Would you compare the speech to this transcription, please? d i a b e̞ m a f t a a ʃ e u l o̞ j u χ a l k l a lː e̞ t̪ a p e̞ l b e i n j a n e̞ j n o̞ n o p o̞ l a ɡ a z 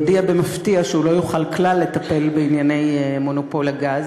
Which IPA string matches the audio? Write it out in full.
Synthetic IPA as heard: d i a b e̞ m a f t i a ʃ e u l o̞ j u χ a l k l a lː e̞ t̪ a p e̞ l b e i n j a n e̞ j m o̞ n o p o̞ l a ɡ a z